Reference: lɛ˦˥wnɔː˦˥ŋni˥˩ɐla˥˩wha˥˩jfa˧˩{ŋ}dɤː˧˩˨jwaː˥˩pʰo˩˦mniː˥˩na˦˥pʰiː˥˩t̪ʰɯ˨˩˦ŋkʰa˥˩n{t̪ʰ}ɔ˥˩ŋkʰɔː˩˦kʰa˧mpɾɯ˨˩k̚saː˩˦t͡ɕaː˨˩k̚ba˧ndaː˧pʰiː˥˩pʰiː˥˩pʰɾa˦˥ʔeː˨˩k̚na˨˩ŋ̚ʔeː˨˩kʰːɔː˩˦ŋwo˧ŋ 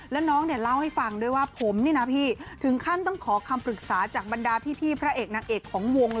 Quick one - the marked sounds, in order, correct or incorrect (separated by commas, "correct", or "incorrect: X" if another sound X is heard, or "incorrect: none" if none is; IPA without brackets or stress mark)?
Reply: correct, incorrect: t̪